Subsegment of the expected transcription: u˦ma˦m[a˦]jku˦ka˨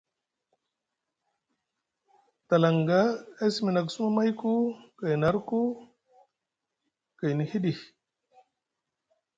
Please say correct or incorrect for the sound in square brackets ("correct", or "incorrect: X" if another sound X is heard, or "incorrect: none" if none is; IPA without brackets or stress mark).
correct